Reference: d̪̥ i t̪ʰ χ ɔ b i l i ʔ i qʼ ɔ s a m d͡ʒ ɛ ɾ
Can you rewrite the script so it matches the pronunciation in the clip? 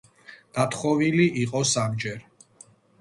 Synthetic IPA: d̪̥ a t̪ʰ χ ɔ v i l i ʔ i qʼ ɔ s a m d͡ʒ ɛ ɾ